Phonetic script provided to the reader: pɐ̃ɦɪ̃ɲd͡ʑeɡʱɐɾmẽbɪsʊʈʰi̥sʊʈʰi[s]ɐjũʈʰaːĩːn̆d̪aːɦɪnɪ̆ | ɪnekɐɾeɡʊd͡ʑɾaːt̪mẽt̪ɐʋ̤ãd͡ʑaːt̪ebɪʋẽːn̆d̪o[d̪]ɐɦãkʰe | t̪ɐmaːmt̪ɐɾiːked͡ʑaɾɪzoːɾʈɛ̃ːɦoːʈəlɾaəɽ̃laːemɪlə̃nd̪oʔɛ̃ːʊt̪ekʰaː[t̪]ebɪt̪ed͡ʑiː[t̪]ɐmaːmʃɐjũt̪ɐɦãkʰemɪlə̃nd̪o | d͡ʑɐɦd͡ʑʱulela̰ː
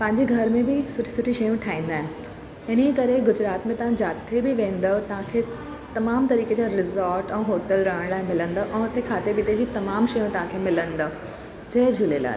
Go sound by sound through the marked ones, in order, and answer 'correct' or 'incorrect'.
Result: incorrect: ʃ, incorrect: t̪, correct, correct

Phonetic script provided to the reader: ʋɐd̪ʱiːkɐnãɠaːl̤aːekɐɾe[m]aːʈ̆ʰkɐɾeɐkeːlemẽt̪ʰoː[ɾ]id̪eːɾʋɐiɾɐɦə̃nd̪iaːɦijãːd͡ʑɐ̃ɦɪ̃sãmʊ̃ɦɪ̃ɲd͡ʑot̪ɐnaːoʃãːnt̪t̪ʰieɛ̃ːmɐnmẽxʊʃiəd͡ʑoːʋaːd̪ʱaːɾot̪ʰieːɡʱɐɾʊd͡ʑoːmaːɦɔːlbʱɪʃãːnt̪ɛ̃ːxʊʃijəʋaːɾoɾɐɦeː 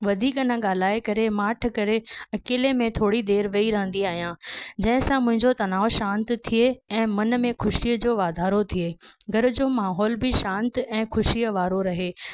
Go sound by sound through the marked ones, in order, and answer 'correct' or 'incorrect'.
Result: correct, incorrect: ɽ

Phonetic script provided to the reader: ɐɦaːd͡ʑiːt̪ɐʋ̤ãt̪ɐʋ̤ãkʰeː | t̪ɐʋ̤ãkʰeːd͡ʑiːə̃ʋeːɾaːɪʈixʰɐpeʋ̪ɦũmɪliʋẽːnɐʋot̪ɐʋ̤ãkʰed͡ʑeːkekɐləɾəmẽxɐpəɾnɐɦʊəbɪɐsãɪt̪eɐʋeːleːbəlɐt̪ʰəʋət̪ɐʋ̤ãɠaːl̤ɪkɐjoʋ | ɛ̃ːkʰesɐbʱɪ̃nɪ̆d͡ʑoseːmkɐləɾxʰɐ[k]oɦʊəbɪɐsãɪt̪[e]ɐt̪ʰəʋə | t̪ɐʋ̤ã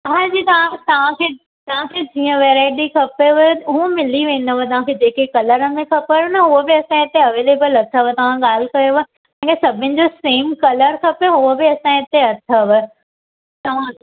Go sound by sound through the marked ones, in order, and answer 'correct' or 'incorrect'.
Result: incorrect: p, correct

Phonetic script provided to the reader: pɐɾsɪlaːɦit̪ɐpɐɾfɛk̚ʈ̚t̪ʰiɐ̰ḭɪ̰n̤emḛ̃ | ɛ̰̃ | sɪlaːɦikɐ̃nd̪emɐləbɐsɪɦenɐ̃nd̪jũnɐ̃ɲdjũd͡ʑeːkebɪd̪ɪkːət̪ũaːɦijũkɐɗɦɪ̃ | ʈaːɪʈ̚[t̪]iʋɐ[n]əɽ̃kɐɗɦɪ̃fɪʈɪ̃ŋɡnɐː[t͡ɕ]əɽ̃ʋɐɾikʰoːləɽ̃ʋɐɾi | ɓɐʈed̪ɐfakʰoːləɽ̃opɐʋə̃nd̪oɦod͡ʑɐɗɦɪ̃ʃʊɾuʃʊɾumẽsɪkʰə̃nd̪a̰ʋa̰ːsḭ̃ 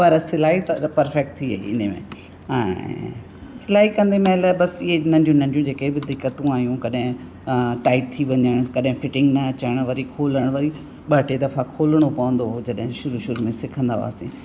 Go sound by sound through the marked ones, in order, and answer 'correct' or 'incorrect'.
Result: incorrect: t̪ʰ, incorrect: ɲ, correct

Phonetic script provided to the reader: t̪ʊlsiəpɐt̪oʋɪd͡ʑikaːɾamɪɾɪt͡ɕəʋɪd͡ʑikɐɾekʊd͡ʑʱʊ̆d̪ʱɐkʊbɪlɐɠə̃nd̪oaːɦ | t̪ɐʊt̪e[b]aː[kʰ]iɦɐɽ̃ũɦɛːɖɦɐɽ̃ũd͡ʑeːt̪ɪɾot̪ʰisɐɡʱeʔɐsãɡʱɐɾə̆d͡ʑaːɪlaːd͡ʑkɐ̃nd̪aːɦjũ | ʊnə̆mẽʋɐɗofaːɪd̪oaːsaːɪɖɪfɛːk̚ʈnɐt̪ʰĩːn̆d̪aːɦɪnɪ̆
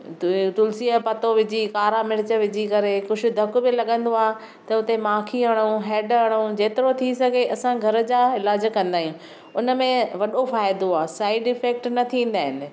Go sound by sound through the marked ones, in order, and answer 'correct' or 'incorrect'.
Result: incorrect: m, correct

